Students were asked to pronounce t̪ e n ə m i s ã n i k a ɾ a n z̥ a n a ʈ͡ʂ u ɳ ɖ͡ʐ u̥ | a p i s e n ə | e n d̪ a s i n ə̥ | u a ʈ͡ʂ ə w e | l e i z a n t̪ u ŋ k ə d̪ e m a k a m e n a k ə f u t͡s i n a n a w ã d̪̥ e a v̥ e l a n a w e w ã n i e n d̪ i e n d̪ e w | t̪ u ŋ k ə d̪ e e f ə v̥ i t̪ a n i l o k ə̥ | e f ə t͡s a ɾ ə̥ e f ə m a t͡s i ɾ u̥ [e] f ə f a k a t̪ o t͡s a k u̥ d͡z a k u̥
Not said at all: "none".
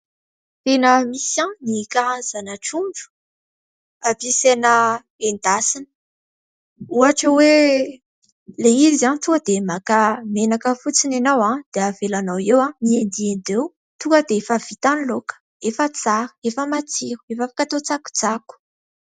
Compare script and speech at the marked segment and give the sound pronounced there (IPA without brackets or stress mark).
e